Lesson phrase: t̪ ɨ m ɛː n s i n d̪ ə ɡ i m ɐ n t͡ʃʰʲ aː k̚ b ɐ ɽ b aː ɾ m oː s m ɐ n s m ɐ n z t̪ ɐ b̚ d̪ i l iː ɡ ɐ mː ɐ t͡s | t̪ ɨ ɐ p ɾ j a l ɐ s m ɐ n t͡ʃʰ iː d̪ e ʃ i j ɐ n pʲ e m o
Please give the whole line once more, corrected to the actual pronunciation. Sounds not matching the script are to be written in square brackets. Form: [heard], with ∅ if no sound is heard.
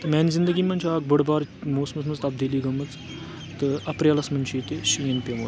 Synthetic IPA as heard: t̪ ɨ m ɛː n [z] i n d̪ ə ɡ i m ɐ n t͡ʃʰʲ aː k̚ b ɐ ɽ b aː ɾ m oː s m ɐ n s m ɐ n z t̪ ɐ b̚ d̪ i l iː ɡ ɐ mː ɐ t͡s | t̪ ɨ ɐ p ɾ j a l ɐ s m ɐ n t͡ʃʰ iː [t̪] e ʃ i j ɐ n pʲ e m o

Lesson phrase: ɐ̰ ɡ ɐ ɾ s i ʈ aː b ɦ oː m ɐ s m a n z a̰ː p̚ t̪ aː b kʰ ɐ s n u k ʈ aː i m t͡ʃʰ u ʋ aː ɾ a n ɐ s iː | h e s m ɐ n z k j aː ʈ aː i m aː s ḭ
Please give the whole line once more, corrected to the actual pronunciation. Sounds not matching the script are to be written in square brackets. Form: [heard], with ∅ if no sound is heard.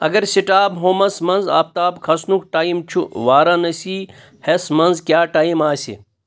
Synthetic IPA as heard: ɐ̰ ɡ ɐ ɾ s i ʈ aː b ɦ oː m ɐ s m [ɐ] n z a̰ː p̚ t̪ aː b kʰ ɐ s n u k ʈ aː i m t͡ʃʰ u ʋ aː ɾ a n ɐ s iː | h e s m ɐ n z k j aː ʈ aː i m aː s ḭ

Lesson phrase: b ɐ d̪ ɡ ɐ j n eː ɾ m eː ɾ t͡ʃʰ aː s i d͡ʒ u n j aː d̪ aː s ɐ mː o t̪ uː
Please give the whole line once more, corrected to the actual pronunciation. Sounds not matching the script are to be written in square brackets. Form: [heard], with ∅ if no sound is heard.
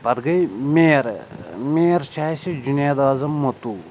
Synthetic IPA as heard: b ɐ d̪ ɡ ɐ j [m] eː ɾ m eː ɾ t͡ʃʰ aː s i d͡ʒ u n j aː d̪ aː [z] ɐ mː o t̪ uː

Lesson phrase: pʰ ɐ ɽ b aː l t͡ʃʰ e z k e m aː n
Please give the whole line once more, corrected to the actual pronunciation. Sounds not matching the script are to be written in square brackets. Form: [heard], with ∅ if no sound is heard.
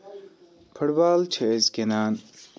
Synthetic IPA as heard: pʰ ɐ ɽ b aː l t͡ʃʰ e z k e [n] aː n

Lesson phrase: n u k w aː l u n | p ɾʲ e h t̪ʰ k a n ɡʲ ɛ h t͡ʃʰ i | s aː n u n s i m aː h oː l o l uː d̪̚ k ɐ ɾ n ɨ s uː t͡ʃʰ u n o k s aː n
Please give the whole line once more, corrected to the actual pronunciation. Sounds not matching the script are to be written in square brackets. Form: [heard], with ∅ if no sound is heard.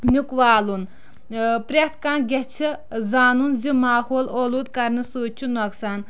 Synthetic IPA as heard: n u k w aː l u n | p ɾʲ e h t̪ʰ k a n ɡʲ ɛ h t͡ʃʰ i | [z] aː n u n [z] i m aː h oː l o l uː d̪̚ k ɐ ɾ n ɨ s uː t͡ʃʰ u n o k s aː n

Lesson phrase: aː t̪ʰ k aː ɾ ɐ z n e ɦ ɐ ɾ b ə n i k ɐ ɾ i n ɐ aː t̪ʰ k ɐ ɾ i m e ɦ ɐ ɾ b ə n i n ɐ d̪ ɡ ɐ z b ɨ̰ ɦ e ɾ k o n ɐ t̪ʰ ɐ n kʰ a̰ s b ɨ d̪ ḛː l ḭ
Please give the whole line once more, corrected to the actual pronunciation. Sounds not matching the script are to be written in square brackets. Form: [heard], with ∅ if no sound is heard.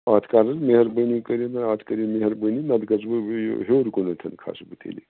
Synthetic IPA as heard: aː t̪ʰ k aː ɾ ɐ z [m] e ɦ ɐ ɾ b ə n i k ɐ ɾ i n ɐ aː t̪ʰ k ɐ ɾ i m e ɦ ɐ ɾ b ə n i n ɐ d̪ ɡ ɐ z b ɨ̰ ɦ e ɾ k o n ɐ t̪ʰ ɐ n kʰ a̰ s b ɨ [t̪] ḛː l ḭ

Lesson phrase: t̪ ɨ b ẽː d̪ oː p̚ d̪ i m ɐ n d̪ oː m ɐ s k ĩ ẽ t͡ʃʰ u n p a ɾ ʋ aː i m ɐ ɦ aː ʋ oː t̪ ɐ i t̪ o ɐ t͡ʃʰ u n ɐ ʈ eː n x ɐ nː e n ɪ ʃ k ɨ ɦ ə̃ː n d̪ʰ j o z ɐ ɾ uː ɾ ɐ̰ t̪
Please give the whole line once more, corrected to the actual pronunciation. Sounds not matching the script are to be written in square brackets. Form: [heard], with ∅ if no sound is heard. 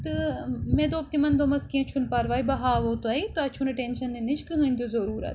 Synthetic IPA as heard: t̪ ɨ [m] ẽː d̪ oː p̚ [t̪] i m ɐ n d̪ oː m ɐ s k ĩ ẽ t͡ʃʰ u n p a ɾ ʋ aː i [b] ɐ ɦ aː ʋ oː t̪ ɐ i t̪ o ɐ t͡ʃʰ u n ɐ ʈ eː n [ʃ] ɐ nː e n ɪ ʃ k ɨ ɦ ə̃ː n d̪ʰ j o z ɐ ɾ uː ɾ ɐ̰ t̪

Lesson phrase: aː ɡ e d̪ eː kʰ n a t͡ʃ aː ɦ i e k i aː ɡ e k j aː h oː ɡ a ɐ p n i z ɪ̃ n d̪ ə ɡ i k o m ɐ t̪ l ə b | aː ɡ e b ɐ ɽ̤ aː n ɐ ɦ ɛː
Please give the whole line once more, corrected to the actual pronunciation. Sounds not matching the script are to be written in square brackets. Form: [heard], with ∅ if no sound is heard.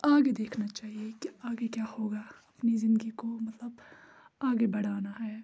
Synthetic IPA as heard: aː ɡ e d̪ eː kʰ n a t͡ʃ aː ɦ i e k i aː ɡ e k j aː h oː ɡ a ɐ p n i z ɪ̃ n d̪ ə ɡ i k o m ɐ t̪ l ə b | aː ɡ e b ɐ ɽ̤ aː n [a] ɦ ɛː

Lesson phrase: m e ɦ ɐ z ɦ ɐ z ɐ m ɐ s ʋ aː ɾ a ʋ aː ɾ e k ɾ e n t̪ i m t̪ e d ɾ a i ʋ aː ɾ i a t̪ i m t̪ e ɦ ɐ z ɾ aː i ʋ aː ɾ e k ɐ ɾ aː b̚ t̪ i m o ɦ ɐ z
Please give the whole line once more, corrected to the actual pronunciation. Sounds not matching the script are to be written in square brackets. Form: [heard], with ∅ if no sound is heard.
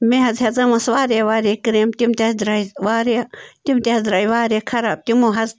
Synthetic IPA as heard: m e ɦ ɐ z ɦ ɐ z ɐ m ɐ s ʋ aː ɾ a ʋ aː ɾ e k ɾ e [m] t̪ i m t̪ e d ɾ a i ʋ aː ɾ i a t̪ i m t̪ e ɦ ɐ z ɾ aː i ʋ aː ɾ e [kʰ] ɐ ɾ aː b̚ t̪ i m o ɦ ɐ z

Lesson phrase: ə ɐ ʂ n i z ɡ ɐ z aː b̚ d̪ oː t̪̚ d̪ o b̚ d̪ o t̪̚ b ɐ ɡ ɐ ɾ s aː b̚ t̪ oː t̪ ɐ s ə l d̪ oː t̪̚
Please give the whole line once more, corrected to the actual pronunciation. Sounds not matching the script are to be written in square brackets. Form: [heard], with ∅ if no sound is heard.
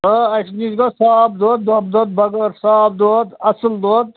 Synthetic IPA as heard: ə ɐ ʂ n i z ɡ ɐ [s] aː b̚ d̪ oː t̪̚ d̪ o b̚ d̪ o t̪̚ b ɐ ɡ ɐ ɾ s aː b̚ [d̪] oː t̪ ɐ s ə l d̪ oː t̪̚

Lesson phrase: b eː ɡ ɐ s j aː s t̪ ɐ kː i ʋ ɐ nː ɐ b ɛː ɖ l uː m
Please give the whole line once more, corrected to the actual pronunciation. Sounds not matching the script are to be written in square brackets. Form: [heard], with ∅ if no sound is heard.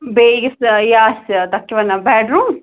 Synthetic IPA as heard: b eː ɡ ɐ s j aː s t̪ ɐ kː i ʋ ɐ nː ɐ b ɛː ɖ [ɾ] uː m

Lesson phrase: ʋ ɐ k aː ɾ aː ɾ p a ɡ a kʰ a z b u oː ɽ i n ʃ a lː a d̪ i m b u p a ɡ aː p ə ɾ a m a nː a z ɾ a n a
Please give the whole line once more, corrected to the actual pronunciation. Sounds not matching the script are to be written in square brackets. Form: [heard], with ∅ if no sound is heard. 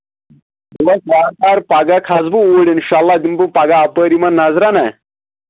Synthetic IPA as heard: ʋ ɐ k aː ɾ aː ɾ p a ɡ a kʰ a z b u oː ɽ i n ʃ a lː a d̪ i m b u p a ɡ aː p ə ɾ [i] m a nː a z ɾ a n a

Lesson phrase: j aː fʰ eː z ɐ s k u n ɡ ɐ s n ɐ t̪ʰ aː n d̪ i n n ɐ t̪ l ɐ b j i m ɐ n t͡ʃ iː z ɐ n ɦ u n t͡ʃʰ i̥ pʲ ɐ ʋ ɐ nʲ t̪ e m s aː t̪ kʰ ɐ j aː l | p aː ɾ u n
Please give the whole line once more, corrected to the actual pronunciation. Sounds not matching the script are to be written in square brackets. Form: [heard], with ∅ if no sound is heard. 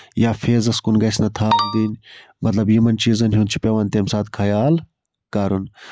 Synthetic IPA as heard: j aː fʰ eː z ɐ s k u n ɡ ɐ s n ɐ t̪ʰ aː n d̪ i n [m] ɐ t̪ l ɐ b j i m ɐ n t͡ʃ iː z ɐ n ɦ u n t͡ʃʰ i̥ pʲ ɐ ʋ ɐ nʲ t̪ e m s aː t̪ kʰ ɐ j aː l | [k] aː ɾ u n

